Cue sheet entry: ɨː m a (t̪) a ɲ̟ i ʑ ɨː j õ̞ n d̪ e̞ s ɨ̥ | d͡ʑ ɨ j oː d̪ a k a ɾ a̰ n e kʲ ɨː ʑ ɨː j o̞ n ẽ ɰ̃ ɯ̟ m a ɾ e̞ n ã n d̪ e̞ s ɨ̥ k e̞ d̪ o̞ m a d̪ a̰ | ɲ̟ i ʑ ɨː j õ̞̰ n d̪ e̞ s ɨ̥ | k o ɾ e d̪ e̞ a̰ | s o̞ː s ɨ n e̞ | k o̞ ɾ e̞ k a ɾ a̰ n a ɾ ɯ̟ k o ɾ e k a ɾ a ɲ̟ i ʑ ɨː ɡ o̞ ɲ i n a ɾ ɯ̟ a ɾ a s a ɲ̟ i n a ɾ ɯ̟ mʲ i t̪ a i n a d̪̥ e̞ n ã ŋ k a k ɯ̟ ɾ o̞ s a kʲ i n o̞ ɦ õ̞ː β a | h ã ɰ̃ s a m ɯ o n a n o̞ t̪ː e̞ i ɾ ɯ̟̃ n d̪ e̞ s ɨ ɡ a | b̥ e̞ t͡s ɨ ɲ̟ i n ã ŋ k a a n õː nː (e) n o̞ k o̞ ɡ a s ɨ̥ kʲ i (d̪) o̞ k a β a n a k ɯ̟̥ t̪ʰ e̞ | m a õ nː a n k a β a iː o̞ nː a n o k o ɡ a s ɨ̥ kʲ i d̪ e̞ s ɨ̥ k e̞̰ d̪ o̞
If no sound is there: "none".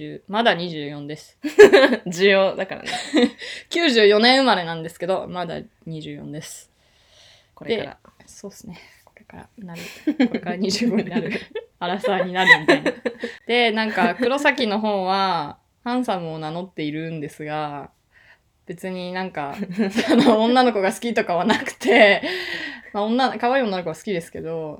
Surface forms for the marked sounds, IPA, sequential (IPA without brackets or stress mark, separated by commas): d̪, a, t̪